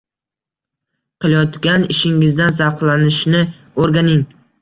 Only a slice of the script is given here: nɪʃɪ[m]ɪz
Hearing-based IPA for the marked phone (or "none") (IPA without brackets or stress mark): ŋ